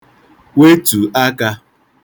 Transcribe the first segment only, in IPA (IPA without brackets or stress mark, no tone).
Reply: w